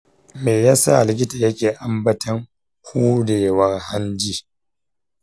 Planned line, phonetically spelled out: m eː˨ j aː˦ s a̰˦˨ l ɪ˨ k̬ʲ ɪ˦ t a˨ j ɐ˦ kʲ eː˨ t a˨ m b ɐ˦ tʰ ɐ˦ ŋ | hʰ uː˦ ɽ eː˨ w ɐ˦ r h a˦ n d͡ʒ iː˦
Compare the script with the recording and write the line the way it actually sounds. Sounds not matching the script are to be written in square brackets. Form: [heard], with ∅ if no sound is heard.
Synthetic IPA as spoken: m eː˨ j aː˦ s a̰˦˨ l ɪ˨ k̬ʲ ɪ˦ t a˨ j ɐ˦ kʲ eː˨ [ʔ] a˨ m b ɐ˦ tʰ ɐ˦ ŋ | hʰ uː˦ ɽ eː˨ w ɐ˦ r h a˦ n d͡ʒ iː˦

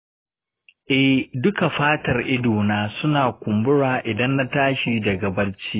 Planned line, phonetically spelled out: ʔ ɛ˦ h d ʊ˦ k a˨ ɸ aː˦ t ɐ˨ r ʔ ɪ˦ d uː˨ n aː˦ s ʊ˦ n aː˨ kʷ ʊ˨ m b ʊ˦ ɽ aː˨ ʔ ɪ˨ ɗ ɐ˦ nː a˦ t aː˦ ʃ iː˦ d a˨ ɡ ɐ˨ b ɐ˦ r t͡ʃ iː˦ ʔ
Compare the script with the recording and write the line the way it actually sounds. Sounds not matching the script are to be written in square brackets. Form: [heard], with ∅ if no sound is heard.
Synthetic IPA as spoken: ʔ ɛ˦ h d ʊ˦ k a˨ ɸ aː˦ t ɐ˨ r ʔ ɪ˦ d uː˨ n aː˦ s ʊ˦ n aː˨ kʷ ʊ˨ m b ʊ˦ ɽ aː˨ ʔ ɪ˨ [d] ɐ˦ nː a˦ t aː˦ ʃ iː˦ d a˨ ɡ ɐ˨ b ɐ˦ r t͡ʃ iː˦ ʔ

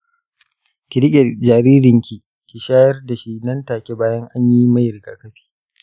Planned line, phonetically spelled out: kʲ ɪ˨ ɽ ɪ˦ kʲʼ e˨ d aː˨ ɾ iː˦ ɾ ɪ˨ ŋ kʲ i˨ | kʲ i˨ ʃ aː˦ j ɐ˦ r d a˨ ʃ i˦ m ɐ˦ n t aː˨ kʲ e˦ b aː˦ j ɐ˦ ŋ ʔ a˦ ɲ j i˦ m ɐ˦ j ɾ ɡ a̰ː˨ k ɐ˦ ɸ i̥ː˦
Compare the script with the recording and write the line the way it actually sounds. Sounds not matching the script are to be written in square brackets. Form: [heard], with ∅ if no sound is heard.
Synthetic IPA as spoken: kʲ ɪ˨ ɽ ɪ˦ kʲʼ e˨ [d͡ʒ] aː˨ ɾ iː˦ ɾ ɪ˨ ŋ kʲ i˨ | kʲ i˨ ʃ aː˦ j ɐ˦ r d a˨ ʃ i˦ [n] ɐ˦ n t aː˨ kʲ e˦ b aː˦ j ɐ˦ ŋ ʔ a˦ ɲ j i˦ m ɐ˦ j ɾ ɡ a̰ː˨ k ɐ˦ ɸ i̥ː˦

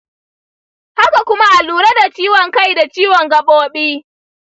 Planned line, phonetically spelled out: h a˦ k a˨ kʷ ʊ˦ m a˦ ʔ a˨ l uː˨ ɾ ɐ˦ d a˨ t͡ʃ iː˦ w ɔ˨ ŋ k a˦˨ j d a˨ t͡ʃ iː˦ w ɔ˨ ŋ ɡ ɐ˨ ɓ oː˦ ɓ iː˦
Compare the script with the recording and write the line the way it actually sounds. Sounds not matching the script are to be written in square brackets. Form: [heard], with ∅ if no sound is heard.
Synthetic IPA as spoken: h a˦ k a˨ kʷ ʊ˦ m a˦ ʔ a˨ l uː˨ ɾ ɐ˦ d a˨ t͡ʃ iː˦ w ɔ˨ ŋ k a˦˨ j d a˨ t͡ʃ iː˦ w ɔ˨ ŋ ɡ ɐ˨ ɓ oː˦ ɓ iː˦

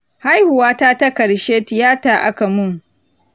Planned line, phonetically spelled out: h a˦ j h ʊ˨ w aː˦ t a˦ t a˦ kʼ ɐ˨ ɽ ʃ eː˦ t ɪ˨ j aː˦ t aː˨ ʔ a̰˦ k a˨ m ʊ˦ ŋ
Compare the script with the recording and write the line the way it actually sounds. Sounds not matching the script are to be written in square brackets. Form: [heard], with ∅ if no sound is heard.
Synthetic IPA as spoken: h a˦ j h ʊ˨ w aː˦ t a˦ t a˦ [k] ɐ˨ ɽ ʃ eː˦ t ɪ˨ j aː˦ t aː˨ ʔ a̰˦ k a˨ m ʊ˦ ŋ

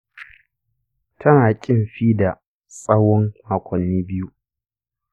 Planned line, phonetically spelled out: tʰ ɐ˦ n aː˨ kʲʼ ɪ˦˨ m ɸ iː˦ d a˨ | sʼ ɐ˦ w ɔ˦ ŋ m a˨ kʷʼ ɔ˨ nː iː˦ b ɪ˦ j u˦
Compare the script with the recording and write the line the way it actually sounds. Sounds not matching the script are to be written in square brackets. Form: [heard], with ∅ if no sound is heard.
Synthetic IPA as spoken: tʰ ɐ˦ n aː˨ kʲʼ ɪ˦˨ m ɸ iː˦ d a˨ | sʼ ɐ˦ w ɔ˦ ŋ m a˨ [kʷ] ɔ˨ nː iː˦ b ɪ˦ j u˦

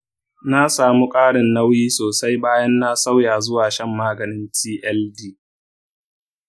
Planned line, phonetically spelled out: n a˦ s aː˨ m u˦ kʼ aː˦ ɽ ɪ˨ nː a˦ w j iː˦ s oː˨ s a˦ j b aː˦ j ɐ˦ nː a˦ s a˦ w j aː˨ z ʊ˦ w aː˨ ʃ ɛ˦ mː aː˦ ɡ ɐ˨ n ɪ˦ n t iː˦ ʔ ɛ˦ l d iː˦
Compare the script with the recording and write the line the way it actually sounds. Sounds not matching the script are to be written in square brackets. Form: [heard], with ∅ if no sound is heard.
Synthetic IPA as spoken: n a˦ s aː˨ m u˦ kʼ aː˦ ɽ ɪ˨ nː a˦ w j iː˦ s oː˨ s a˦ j b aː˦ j ɐ˦ nː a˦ s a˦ w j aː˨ z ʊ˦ w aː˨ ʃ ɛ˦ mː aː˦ ɡ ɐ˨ n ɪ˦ n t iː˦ ʔ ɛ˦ l d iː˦

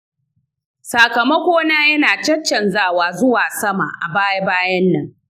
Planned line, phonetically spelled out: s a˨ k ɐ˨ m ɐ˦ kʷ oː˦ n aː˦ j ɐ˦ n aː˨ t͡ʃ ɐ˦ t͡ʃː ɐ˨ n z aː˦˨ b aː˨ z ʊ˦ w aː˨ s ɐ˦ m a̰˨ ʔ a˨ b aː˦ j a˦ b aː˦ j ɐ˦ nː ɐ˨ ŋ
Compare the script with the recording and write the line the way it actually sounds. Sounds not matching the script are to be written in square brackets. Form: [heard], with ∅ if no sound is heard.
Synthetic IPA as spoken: s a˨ k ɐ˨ m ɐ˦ kʷ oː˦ n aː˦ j ɐ˦ n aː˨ t͡ʃ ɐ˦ t͡ʃː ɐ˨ n z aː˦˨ [w] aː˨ z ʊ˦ w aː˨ s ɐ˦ m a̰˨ ʔ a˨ b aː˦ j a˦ b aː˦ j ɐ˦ nː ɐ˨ ŋ

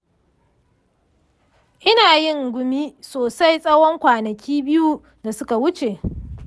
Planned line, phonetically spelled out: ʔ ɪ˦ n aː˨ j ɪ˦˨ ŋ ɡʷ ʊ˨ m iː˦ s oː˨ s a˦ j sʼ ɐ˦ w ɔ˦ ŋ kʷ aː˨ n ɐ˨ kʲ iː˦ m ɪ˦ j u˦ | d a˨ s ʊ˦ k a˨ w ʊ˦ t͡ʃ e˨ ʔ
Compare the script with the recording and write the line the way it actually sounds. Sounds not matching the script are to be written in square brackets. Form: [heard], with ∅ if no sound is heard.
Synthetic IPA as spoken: ʔ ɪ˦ n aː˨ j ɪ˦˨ ŋ ɡʷ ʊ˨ m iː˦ s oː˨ s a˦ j sʼ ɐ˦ w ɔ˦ ŋ kʷ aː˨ n ɐ˨ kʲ iː˦ [b] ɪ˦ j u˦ | d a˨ s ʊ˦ k a˨ w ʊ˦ t͡ʃ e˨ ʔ

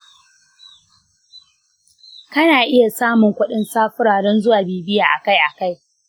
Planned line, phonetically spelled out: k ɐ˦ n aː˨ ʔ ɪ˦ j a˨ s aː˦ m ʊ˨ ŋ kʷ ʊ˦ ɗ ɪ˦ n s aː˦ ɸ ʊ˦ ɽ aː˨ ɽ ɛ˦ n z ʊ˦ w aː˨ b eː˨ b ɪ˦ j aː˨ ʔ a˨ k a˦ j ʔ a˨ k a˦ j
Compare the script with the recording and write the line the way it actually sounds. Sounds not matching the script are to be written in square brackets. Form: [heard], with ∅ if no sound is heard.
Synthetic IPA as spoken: k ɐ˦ n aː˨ ʔ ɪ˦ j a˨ s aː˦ m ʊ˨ ŋ kʷ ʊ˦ ɗ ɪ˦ n s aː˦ ɸ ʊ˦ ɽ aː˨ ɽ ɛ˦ n z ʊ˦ w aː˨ b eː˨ b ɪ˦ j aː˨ ʔ a˨ k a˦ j ʔ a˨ k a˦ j

